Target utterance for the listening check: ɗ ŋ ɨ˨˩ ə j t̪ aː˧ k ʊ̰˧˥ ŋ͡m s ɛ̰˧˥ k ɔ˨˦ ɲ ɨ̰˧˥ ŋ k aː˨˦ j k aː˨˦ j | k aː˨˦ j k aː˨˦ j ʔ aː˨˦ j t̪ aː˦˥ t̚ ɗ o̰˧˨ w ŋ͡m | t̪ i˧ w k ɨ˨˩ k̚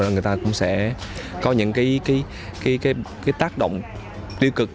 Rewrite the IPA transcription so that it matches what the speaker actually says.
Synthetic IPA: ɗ ŋ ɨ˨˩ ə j t̪ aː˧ k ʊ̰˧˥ ŋ͡m s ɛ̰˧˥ k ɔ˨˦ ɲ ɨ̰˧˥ ŋ k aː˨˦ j k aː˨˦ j | k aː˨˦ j k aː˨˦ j k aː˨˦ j t̪ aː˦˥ k̚ ɗ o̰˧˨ w ŋ͡m | t̪ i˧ w k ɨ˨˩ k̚